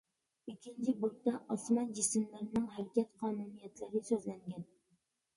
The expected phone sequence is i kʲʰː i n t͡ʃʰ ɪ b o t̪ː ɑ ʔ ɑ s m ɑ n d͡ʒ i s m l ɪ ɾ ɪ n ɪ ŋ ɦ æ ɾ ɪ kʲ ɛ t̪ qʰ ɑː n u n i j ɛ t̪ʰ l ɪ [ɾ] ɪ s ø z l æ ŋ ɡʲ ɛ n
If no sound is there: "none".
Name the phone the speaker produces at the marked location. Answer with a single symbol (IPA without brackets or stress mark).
ɾ